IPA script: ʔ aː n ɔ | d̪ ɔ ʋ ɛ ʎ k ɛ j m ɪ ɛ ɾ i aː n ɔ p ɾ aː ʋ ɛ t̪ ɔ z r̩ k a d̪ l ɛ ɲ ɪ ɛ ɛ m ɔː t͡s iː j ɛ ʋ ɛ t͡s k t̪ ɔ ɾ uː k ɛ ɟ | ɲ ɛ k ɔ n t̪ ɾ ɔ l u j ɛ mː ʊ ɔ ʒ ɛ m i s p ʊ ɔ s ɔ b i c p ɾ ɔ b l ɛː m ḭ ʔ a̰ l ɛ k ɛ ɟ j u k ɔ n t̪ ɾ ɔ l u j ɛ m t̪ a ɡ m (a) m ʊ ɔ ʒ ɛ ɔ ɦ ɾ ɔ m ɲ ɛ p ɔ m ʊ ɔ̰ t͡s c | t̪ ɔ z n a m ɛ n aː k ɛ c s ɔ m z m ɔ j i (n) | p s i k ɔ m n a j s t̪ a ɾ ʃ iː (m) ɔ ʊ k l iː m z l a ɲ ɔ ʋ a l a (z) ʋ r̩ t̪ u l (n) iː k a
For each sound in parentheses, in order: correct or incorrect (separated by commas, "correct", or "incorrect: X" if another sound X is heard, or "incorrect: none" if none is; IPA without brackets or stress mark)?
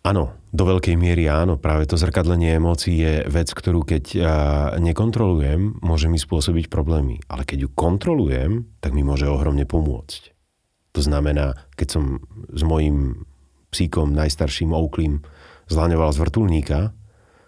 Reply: incorrect: i, incorrect: m, correct, correct, incorrect: ɲ